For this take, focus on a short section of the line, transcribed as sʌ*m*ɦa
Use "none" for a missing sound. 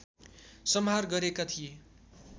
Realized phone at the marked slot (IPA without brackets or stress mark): m